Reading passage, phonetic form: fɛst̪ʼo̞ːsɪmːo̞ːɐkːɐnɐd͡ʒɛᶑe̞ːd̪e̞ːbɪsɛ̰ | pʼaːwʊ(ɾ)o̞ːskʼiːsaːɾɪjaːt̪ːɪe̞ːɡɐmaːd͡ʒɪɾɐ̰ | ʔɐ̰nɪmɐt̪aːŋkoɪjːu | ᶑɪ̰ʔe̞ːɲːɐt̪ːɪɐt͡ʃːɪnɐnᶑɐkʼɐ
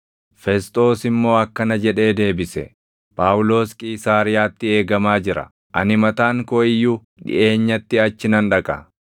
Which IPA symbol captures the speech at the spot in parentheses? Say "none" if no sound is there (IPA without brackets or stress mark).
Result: l